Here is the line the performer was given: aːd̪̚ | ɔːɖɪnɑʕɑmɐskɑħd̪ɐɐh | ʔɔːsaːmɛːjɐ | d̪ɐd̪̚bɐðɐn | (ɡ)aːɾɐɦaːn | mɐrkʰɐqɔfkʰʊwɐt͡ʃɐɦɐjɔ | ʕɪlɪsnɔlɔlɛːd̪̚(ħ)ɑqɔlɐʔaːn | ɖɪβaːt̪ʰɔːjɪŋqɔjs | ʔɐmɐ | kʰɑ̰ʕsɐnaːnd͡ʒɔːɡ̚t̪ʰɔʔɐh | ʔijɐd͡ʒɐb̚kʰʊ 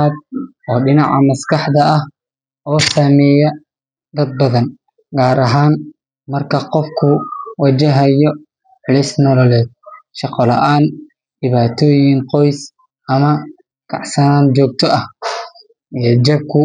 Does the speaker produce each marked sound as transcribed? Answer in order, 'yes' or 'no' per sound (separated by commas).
yes, no